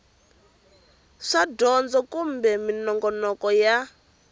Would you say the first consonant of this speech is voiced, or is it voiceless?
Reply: voiceless